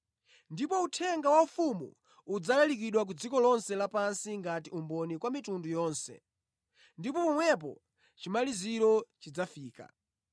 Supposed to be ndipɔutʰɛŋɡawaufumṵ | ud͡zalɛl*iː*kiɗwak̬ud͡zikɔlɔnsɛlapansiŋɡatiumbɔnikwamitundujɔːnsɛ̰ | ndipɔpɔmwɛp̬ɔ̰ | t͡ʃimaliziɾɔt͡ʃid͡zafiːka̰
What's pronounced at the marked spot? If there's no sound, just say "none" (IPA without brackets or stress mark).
i